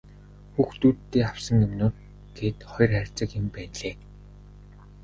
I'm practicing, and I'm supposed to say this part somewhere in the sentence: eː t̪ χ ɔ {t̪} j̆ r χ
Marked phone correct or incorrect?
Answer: incorrect